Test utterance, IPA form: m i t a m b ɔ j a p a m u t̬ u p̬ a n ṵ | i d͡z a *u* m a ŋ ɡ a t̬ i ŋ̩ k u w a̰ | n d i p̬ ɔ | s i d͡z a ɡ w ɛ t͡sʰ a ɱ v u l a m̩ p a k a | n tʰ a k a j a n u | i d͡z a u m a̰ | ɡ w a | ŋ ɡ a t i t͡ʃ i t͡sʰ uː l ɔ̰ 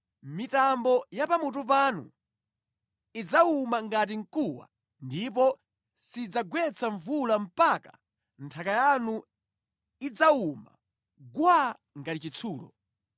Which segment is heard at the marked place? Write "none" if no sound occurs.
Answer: u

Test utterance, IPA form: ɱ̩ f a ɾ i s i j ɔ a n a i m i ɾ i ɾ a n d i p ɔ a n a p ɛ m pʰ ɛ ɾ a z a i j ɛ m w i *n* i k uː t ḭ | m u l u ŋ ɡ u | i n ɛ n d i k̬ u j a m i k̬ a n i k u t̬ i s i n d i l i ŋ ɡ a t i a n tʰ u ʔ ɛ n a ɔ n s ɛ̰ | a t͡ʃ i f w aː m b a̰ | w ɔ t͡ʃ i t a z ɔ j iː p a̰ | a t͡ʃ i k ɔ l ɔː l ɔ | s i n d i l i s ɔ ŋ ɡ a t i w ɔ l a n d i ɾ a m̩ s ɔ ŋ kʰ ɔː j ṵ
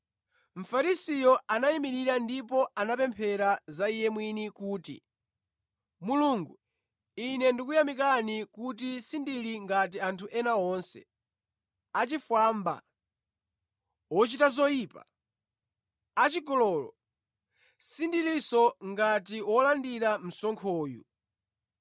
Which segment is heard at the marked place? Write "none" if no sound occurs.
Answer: n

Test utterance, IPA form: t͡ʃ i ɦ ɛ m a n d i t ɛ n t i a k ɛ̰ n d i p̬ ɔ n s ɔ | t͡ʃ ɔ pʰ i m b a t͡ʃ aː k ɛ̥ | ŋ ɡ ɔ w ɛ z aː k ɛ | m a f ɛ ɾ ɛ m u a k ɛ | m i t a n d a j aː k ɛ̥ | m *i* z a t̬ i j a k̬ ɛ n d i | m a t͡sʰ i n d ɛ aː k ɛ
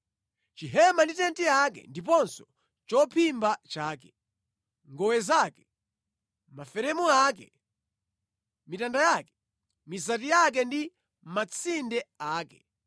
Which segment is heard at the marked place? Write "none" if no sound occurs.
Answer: i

